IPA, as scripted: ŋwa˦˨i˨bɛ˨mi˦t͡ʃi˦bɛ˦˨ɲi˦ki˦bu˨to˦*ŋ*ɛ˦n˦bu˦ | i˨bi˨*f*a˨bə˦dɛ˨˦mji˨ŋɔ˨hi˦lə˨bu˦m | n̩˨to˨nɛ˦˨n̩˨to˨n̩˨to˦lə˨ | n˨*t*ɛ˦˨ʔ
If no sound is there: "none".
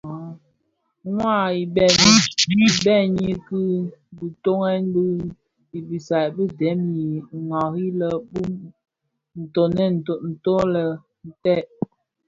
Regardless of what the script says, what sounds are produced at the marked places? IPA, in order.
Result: ŋ, s, t

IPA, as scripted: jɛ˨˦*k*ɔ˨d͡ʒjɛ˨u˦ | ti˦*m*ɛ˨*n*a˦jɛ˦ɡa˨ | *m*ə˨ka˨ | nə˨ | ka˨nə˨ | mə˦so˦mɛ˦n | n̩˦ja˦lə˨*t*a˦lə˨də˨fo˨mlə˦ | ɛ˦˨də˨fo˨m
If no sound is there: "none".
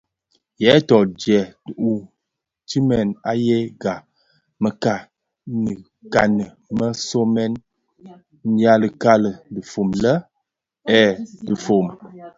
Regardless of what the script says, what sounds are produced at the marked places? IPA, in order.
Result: t, m, n, m, k

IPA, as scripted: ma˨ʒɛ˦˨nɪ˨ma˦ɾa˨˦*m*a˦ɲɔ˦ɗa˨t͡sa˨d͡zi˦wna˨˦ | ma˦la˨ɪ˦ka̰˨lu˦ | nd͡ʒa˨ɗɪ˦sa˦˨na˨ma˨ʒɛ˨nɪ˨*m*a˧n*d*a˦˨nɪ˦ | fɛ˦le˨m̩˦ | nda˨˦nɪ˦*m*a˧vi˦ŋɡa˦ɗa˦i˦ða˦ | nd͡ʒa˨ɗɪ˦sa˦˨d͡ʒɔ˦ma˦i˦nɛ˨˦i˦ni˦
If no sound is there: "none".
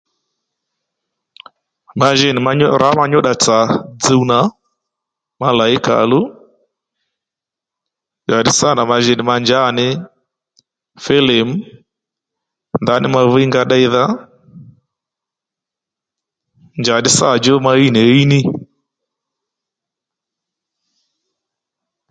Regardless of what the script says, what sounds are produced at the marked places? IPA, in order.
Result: m, m, d͡ʒ, m

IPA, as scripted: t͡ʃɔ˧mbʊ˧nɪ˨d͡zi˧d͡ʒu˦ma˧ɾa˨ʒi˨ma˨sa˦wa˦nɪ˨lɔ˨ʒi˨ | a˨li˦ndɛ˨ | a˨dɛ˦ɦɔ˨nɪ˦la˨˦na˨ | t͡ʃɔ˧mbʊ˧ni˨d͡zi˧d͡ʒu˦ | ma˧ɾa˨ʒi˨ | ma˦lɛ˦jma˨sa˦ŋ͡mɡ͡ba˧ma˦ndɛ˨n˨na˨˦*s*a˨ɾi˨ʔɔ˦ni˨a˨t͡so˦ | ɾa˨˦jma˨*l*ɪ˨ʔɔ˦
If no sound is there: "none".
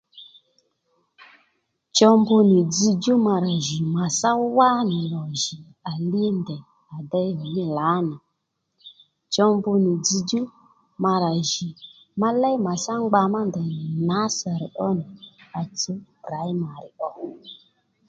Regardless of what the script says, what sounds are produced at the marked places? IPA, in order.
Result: s, ɾ

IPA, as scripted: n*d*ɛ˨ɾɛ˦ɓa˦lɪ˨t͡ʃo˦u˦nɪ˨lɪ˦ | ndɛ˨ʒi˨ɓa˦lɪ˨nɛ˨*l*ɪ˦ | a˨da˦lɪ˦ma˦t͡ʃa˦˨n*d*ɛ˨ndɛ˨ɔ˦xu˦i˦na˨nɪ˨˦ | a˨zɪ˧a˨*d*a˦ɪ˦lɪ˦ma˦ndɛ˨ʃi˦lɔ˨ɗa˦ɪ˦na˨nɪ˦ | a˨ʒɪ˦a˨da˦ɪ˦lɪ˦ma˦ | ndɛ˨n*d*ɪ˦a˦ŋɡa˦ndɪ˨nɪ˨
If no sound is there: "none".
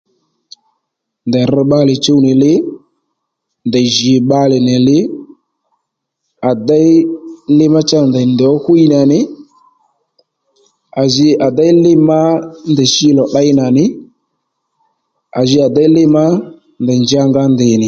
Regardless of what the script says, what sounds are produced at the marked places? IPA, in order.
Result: d, l, d, d, d͡ʒ

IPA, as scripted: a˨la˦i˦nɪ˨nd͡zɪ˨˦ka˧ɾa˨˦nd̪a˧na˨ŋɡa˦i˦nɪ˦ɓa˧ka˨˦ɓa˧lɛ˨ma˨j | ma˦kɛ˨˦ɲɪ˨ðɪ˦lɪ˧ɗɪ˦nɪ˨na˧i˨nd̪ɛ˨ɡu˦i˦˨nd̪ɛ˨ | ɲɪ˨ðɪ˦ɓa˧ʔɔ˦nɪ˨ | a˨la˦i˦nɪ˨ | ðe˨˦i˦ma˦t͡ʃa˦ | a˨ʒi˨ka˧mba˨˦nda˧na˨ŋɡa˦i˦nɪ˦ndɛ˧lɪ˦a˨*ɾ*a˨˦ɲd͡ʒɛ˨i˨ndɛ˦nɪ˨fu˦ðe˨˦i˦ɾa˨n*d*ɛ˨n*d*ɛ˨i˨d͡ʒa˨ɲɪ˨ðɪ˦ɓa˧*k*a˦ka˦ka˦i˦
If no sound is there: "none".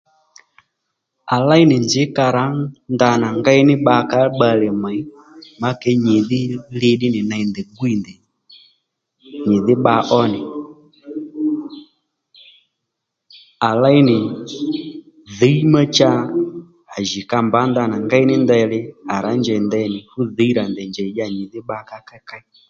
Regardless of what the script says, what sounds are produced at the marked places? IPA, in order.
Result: ɾ, d, d͡ʒ, k

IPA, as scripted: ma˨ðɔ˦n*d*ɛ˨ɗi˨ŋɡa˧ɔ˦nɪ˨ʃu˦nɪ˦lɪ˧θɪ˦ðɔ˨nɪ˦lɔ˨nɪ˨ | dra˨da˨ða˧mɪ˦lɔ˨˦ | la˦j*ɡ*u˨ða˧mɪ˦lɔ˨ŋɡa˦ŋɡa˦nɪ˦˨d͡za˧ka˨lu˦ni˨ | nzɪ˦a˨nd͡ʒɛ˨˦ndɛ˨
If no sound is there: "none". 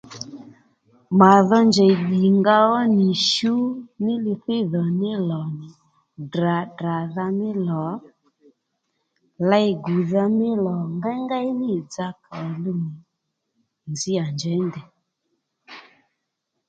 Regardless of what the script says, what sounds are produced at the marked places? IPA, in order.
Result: d͡ʒ, ɡ

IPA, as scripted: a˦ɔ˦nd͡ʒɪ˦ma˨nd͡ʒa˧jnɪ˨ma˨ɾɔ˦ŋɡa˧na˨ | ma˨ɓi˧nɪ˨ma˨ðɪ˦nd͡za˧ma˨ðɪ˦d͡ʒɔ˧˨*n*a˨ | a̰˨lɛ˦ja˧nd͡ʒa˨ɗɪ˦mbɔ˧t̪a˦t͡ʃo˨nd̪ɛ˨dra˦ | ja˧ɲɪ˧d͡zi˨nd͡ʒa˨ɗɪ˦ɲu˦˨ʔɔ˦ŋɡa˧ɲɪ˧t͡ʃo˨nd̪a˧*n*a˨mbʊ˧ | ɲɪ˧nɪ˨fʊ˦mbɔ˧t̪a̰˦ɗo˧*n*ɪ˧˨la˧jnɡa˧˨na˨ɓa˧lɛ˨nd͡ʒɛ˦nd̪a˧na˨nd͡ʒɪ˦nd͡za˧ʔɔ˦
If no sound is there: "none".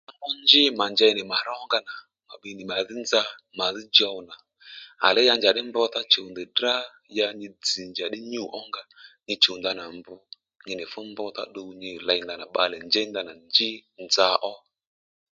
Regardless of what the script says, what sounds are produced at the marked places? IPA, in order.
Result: n, n, ɲ

